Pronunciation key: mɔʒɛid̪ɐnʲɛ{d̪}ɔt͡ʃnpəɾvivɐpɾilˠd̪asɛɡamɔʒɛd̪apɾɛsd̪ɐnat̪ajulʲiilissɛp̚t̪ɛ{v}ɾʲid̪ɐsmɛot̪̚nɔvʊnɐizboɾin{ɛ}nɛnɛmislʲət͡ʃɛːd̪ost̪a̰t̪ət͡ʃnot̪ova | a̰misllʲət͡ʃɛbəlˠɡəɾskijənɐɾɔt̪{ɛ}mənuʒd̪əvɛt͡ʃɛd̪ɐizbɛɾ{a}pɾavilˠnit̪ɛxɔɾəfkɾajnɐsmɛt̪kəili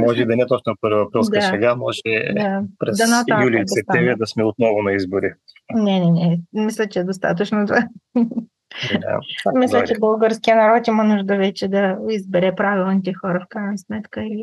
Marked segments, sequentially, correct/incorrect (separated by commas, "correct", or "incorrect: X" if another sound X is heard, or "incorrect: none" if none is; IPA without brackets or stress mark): incorrect: t̪, correct, correct, incorrect: i, incorrect: ɛ